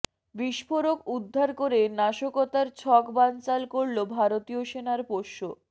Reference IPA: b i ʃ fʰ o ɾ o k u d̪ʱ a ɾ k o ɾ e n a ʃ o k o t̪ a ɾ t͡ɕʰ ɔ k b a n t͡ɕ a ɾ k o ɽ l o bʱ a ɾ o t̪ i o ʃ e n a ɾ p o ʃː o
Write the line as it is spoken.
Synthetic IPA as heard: b i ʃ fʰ o ɾ o k u d̪ʱː a ɾ k o ɾ e n a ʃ o k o t̪ a ɾ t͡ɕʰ ɔ k b a n t͡ɕ a l k o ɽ l o bʱ a ɾ o t̪ i o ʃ e n a ɾ p o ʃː o